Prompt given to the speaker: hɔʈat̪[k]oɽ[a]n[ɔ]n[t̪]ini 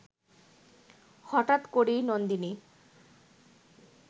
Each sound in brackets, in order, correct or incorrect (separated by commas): correct, incorrect, incorrect, incorrect